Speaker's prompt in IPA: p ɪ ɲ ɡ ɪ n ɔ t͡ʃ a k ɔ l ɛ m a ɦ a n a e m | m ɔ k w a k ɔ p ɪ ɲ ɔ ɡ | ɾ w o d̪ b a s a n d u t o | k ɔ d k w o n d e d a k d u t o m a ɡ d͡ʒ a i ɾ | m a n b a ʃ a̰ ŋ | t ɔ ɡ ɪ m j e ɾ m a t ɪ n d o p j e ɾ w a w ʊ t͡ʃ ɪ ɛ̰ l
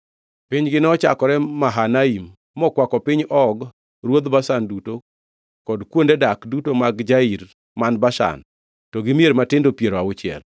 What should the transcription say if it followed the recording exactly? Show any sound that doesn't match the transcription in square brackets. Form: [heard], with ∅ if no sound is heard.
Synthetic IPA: p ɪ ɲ ɡ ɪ n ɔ t͡ʃ a k ɔ [ɾ] ɛ m a ɦ a n a [i] m | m ɔ k w a k ɔ p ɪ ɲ ɔ ɡ | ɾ w o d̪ b a s a n d u t o | k ɔ d k w o n d e d a k d u t o m a ɡ d͡ʒ a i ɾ | m a n b a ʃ a̰ [n] | t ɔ ɡ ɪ m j e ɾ m a t ɪ n d o p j e ɾ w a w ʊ t͡ʃ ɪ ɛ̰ l

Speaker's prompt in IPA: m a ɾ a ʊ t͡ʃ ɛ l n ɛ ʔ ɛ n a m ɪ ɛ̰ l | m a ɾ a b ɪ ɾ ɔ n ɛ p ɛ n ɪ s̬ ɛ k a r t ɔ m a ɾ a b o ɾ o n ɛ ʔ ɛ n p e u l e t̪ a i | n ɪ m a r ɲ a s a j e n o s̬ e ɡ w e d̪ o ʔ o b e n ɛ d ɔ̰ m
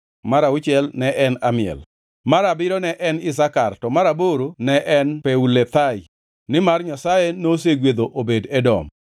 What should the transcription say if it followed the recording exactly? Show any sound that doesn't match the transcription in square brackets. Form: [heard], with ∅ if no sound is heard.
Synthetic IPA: m a ɾ a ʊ t͡ʃ ɛ l n ɛ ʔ ɛ n a m ɪ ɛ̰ l | m a ɾ a b ɪ ɾ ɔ n ɛ [ʔ] ɛ n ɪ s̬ [a] k a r t ɔ m a ɾ a b o ɾ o n ɛ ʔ ɛ n p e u l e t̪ a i | n ɪ m a r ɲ a s a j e n o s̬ e ɡ w e d̪ o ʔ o b e [d] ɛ d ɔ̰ m

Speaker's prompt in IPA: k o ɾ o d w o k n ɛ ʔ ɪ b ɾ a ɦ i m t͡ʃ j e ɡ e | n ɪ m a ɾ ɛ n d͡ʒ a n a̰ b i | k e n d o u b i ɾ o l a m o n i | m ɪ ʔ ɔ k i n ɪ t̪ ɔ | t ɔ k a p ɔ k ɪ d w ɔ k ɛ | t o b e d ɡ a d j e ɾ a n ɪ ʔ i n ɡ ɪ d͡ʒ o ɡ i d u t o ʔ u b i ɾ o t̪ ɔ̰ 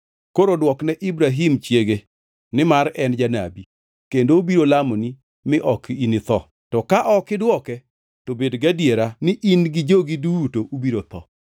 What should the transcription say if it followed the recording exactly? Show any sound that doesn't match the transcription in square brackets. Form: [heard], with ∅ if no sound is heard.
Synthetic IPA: k o ɾ o d w [ɔ] k n ɛ ʔ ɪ b ɾ a ɦ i m t͡ʃ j e ɡ e | n ɪ m a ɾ ɛ n d͡ʒ a n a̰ b i | k e n d o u b i ɾ o l a m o n i | m ɪ ʔ ɔ k i n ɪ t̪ ɔ | t ɔ k a [ʔ] ɔ k ɪ d w ɔ k ɛ | t o b e d ɡ a d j e ɾ a n ɪ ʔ i n ɡ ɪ d͡ʒ o ɡ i d u t o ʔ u b i ɾ o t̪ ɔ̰

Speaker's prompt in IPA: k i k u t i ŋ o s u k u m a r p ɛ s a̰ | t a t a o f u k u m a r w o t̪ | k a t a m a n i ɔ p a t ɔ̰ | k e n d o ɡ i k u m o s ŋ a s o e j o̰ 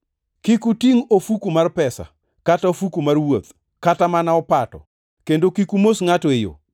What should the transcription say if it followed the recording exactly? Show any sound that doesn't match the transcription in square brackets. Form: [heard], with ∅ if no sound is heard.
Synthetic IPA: k i k u t i ŋ o [f] u k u m a r p ɛ s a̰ | [k] a t a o f u k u m a r w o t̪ | k a t a m a n [a] ɔ p a t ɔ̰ | k e n d o [k] i k u m o s ŋ a [t] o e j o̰

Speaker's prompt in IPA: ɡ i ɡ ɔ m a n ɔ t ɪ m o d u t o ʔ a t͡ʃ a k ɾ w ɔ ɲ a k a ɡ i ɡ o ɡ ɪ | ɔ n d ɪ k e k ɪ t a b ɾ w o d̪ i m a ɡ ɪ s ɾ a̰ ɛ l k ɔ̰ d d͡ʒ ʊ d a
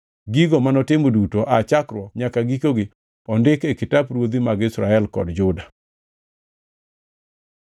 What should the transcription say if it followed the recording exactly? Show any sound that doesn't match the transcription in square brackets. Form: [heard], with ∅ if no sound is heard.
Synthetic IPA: ɡ i ɡ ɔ m a n ɔ t ɪ m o d u t o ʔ a t͡ʃ a k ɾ w ɔ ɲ a k a ɡ i [k] o ɡ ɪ | ɔ n d ɪ k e k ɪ t a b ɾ w o d̪ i m a ɡ ɪ s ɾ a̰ ɛ l k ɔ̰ d d͡ʒ ʊ d a

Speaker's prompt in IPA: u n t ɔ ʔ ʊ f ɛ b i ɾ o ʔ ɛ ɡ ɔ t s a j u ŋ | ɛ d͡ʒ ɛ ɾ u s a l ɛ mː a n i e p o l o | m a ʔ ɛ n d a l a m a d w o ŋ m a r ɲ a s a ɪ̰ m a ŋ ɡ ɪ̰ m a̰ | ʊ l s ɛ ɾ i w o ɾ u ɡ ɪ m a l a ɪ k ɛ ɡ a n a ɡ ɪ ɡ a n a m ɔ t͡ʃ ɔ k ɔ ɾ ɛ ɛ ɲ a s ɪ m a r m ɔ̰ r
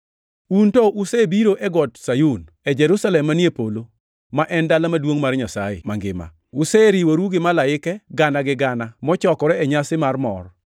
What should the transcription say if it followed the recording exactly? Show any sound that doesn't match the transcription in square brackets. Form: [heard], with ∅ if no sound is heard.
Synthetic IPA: u n t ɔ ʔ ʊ [s] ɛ b i ɾ o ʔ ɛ ɡ ɔ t s a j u [n] | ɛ d͡ʒ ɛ ɾ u s a l ɛ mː a n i e p o l o | m a ʔ ɛ n d a l a m a d w o ŋ m a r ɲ a s a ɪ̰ m a ŋ ɡ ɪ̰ m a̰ | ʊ [∅] s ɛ ɾ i w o ɾ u ɡ ɪ m a l a ɪ k ɛ ɡ a n a ɡ ɪ ɡ a n a m ɔ t͡ʃ ɔ k ɔ ɾ ɛ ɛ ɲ a s ɪ m a r m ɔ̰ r

